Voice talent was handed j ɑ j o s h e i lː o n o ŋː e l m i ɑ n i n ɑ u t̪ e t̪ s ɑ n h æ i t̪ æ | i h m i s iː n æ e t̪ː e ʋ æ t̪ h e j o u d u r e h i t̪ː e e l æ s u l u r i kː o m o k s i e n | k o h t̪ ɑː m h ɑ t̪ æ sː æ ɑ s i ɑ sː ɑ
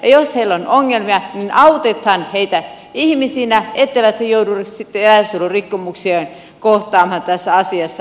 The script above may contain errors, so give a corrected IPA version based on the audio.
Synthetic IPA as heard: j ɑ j o s h e i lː o n o ŋː e l m i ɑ n i n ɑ u t̪ e t̪ h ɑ n h e i t̪ æ | i h m i s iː n æ e t̪ː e ʋ æ t̪ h e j o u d u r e s i t̪ː e e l æ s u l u r i kː o m u k s i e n | k o h t̪ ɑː m h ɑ t̪ æ sː æ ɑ s i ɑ sː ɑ